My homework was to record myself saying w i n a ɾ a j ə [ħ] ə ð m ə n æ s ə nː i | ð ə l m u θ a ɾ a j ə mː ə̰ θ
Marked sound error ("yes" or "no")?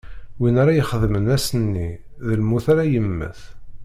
yes